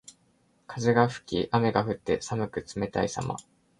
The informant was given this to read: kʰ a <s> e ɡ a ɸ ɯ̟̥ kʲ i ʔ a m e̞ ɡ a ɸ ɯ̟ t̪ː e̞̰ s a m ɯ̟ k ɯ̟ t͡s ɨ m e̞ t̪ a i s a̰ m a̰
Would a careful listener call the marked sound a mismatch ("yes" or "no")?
yes